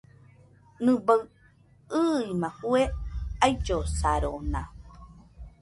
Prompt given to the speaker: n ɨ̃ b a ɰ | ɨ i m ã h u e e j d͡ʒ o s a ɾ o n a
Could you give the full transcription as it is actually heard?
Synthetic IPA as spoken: n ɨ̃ b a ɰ | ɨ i m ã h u e a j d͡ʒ o s a ɾ o n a